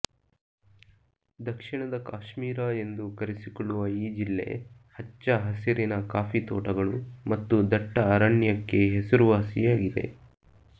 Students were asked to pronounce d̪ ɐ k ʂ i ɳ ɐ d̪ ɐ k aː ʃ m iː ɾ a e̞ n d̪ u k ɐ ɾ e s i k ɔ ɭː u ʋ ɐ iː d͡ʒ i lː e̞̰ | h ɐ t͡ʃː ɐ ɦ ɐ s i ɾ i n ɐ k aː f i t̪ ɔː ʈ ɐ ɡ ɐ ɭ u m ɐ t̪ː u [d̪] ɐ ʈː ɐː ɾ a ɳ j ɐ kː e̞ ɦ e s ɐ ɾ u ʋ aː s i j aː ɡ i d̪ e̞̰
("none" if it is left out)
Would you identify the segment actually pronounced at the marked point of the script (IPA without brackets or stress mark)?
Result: d̪